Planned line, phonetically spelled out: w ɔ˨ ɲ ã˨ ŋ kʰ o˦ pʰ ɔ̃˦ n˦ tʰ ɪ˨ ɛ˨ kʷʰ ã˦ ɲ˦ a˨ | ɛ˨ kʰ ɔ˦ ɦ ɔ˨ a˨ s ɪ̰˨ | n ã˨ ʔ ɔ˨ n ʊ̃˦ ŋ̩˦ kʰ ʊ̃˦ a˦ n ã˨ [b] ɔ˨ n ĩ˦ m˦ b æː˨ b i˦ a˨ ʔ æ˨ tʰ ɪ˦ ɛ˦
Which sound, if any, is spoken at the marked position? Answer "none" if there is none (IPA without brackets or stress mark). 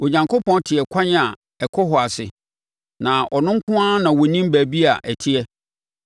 w